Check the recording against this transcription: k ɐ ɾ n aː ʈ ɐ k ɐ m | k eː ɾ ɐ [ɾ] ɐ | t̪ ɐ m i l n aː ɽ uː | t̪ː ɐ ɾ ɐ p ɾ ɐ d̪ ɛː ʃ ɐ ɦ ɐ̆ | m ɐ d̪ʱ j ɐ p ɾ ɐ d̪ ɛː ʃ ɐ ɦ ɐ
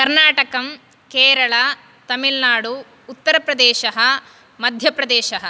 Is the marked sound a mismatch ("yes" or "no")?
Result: yes